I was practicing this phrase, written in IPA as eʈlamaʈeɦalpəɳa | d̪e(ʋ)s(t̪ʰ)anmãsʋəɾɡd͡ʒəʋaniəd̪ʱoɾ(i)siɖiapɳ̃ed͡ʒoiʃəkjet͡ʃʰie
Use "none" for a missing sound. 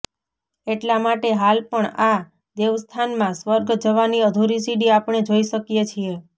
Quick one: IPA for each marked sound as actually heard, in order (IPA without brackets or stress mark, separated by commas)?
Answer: ʋ, t̪ʰ, i